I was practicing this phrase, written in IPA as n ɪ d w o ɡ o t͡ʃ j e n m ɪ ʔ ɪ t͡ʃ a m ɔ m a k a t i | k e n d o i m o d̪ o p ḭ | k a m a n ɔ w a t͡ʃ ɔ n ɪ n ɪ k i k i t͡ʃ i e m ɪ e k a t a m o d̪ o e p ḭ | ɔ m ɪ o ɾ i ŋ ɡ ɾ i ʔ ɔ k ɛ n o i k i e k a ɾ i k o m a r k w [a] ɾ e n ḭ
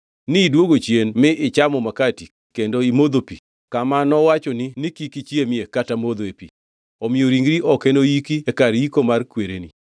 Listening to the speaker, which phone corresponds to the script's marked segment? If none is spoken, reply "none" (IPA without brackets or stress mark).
e